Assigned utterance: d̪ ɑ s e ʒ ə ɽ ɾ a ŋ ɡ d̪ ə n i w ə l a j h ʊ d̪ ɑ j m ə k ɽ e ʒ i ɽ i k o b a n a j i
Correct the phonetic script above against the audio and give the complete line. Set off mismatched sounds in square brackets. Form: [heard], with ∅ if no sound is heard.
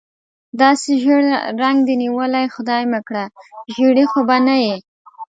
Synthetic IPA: d̪ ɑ s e ʒ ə ɽ ɾ a ŋ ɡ d̪ ə n i w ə l a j [x] ʊ d̪ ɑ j m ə k ɽ [a] ʒ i ɽ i [x] o b a n a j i